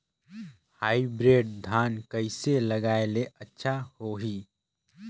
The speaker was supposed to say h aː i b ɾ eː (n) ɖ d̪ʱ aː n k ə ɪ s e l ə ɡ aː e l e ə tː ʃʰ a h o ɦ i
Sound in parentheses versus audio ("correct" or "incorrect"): incorrect